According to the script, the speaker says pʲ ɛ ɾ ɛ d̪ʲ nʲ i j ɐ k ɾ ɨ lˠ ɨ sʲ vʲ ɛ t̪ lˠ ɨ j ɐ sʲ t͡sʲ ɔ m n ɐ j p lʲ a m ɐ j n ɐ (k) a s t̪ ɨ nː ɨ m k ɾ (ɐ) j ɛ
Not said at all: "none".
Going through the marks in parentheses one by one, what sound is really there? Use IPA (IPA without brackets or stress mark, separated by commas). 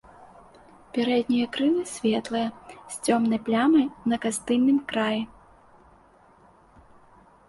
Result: k, a